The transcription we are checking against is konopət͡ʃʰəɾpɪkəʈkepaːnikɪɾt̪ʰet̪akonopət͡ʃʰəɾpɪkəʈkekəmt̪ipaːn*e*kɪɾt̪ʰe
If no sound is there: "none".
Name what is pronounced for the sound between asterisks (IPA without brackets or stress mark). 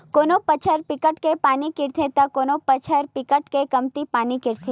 i